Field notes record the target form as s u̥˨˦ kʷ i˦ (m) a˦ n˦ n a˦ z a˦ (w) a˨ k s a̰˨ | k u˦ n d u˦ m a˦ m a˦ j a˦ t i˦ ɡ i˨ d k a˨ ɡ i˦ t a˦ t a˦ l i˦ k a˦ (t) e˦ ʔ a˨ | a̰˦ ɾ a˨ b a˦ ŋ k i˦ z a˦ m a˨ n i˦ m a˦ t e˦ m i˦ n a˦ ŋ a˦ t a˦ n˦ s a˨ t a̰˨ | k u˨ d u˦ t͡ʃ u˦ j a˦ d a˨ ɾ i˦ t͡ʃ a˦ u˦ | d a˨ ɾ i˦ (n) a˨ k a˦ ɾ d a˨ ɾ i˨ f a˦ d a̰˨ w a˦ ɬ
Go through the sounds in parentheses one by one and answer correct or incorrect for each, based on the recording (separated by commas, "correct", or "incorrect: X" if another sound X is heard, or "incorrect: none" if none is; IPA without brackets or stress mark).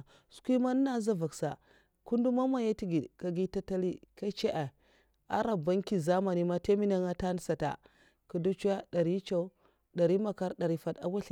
correct, incorrect: v, incorrect: t͡ʃ, incorrect: m